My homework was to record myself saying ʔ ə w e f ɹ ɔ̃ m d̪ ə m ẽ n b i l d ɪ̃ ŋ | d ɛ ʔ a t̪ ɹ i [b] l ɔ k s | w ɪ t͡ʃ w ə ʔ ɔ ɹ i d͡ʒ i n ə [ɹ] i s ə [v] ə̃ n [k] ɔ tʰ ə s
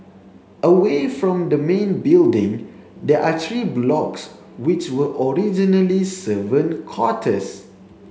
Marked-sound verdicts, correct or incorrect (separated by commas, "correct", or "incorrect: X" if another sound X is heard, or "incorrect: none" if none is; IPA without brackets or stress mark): correct, incorrect: l, correct, incorrect: kʰ